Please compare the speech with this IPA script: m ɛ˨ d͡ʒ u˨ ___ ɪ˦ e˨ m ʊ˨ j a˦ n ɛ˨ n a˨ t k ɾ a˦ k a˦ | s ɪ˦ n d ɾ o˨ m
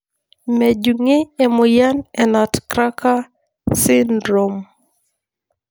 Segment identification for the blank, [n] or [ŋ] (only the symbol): ŋ